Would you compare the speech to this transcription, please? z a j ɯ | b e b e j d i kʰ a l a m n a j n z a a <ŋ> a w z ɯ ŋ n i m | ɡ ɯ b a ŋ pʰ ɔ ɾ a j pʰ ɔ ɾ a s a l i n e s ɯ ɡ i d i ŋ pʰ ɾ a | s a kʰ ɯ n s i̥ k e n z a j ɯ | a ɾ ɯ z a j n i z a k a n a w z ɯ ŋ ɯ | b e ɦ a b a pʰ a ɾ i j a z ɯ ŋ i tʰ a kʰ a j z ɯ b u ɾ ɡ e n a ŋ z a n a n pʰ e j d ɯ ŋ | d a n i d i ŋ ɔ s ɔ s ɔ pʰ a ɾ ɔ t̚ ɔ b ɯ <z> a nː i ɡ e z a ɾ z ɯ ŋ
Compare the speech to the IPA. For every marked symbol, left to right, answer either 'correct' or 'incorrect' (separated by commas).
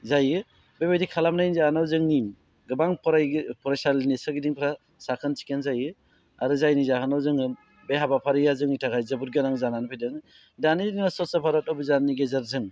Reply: incorrect, correct